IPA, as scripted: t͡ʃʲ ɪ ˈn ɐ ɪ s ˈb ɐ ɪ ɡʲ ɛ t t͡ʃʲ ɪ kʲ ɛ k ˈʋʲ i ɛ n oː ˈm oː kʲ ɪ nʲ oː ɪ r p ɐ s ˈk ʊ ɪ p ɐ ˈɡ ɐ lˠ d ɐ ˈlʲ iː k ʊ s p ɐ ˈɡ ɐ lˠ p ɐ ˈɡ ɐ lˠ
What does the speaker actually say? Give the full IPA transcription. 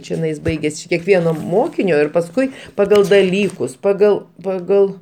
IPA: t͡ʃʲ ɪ ˈn ɐ ɪ s ˈb ɐ ɪ ɡʲ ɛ s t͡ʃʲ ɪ kʲ ɛ k ˈʋʲ i ɛ n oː ˈm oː kʲ ɪ nʲ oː ɪ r p ɐ s ˈk ʊ ɪ p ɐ ˈɡ ɐ lˠ d ɐ ˈlʲ iː k ʊ s p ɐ ˈɡ ɐ lˠ p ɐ ˈɡ ɐ lˠ